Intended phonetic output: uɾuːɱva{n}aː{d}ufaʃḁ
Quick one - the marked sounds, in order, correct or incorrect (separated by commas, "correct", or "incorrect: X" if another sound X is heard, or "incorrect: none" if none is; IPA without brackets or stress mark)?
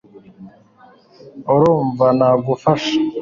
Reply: correct, incorrect: ɡ